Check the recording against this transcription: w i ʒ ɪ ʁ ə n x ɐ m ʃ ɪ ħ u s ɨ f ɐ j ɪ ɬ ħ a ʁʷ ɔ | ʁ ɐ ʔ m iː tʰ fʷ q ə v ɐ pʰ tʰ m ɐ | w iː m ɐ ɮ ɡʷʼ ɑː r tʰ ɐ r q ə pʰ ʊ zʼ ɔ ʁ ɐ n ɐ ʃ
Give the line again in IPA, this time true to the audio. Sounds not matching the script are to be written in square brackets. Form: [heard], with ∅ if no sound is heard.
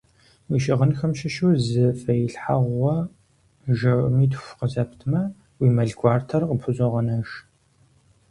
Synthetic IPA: w i [ʃ] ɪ ʁ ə n x ɐ m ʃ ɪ [ʃ] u [z] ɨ f ɐ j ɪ ɬ ħ a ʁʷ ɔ | [ʒ] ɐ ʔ m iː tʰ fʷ q ə [z] ɐ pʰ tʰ m ɐ | w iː m ɐ ɮ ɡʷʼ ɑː r tʰ ɐ r q ə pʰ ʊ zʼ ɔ ʁ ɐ n ɐ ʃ